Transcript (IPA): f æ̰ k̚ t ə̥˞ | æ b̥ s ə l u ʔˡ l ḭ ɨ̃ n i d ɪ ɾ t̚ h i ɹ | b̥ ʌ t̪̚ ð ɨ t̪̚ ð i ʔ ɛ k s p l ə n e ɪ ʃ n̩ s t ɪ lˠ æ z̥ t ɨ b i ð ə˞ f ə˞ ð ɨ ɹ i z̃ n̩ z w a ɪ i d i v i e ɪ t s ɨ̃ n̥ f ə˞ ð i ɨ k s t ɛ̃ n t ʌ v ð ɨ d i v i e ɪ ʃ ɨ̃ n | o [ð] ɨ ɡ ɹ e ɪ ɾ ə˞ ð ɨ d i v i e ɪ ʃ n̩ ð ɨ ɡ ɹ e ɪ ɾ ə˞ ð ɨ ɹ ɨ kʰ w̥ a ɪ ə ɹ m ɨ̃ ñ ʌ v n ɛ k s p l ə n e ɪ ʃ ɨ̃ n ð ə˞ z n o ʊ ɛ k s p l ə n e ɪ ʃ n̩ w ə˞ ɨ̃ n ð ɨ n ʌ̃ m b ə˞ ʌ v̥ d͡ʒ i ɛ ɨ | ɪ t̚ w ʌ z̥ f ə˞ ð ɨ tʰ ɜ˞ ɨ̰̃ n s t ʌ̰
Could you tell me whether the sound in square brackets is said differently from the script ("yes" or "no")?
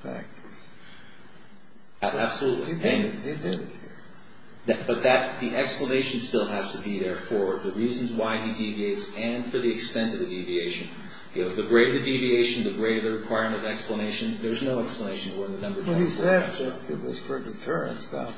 no